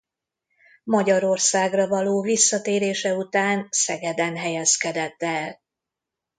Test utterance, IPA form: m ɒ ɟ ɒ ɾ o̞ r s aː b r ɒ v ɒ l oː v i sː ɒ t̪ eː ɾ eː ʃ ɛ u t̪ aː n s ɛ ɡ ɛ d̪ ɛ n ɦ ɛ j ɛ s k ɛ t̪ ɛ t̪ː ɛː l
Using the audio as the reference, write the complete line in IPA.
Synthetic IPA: m ɒ ɟ ɒ ɾ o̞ r s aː ɡ r ɒ v ɒ l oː v i sː ɒ t̪ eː ɾ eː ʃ ɛ u t̪ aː n s ɛ ɡ ɛ d̪ ɛ n ɦ ɛ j ɛ s k ɛ d̪ ɛ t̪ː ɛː l